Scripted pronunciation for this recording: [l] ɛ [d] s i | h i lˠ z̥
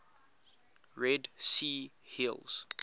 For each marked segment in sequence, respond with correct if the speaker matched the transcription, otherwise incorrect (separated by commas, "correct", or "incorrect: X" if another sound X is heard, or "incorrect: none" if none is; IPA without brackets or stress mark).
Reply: incorrect: ɹ, correct